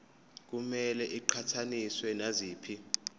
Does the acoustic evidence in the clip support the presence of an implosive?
no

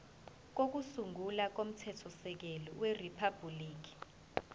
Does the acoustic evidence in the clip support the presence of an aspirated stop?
yes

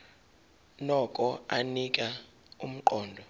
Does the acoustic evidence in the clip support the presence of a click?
yes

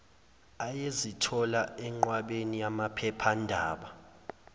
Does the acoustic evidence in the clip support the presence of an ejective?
no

